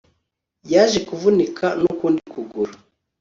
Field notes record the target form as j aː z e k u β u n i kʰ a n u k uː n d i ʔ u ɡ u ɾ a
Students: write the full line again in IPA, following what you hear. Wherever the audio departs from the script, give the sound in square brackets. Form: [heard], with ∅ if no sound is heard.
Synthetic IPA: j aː [ʒ] e k u [v] u n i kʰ a n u k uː n d i [k] u ɡ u ɾ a